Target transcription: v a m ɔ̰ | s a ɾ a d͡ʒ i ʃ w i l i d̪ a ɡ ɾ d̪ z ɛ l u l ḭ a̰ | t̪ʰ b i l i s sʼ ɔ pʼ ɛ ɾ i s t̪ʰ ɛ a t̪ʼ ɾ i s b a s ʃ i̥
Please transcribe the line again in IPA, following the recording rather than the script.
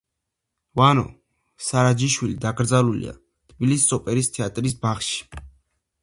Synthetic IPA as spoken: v a n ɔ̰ | s a ɾ a d͡ʒ i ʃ w i l i d̪ a ɡ ɾ d̪ z a l u l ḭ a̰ | t̪ʰ b i l i s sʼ ɔ pʼ ɛ ɾ i s t̪ʰ ɛ a t̪ʼ ɾ i s b a χ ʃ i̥